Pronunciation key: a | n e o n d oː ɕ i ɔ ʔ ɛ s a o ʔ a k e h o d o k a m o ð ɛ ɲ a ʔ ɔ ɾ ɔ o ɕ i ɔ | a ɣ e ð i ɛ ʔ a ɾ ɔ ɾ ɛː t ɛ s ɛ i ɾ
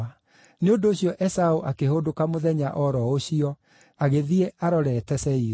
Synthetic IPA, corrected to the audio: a | n e o n d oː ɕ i ɔ ʔ ɛ s a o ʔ a k e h o d o k a m o ð ɛ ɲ a ʔ ɔ ɾ ɔ o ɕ i ɔ | a ɣ e ð i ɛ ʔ a ɾ ɔ ɾ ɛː t ɛ s ɛ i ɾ